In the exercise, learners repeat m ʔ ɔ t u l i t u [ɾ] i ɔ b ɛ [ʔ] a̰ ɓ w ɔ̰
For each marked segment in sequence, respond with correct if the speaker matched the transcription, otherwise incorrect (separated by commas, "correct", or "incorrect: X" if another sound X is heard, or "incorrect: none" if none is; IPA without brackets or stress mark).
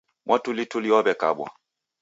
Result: incorrect: l, incorrect: k